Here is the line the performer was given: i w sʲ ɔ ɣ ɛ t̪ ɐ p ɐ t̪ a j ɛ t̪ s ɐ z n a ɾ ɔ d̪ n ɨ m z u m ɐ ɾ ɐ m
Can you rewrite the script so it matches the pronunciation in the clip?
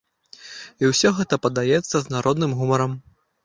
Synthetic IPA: i w sʲ ɔ ɣ ɛ t̪ ɐ p ɐ d̪ a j ɛ t̪ sː ɐ z n a ɾ ɔ d̪ n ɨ m ɣ u m ɐ ɾ ɐ m